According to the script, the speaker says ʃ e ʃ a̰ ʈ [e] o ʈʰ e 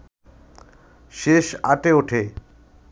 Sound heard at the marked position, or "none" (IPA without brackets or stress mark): e